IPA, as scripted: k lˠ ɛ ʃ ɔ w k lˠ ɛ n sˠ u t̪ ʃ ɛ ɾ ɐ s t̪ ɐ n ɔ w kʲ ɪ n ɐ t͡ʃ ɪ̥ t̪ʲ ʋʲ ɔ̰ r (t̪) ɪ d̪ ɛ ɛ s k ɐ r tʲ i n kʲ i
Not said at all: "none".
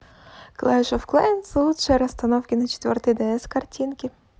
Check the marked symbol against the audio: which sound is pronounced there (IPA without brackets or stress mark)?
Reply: t̪